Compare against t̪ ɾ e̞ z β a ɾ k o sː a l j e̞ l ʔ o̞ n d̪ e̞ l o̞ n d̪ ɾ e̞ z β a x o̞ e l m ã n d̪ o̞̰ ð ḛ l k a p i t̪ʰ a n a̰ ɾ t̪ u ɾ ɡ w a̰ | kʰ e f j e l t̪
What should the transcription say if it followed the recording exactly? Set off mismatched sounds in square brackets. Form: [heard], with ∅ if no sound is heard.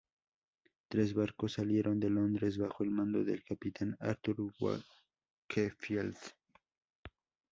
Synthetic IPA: t̪ ɾ e̞ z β a ɾ k o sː a l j e̞ [ɾ] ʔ o̞ n d̪ e̞ l o̞ n d̪ ɾ e̞ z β a x o̞ e l m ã n d̪ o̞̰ ð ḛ l k a p i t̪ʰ a n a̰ ɾ t̪ u ɾ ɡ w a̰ | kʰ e f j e l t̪